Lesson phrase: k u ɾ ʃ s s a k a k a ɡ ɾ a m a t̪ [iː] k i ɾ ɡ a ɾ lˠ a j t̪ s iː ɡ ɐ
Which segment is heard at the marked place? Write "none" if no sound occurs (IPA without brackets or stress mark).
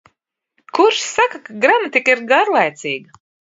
i